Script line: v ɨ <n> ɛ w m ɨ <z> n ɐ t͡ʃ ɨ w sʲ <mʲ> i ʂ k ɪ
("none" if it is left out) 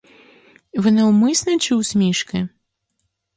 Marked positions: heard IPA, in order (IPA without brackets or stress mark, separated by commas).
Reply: n, s, mʲ